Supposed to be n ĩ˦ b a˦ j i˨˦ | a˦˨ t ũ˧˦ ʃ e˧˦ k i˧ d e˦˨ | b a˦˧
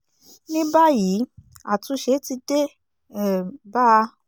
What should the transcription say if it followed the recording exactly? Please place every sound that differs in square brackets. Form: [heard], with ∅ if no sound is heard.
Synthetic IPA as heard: n ĩ˦ b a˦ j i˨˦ | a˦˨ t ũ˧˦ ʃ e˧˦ [t] i˧ d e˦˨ | b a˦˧